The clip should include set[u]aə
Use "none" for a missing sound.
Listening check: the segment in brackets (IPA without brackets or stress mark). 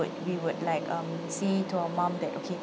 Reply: u